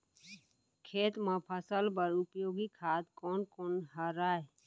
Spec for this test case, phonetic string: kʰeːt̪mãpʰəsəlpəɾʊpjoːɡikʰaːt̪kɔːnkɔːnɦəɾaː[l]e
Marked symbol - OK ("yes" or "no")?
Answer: no